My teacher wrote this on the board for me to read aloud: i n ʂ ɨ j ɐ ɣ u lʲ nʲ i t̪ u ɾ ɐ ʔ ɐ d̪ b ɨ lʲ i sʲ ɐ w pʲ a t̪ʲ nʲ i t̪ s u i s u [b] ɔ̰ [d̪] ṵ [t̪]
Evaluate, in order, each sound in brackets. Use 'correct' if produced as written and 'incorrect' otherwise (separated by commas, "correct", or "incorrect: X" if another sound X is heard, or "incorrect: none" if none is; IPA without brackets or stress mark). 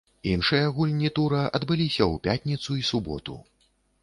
correct, incorrect: t̪, incorrect: none